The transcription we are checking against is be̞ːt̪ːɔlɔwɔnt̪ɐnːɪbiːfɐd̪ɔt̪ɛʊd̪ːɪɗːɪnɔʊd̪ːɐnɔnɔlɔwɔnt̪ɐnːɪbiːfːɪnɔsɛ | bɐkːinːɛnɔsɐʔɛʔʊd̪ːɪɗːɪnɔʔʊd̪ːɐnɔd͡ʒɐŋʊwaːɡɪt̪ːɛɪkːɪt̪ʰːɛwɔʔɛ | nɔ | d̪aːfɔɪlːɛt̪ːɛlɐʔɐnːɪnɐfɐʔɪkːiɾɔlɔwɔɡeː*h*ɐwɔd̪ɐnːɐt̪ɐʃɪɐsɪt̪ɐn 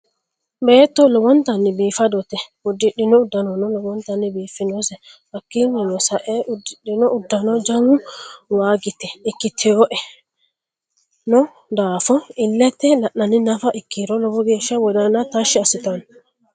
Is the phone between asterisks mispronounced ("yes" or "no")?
yes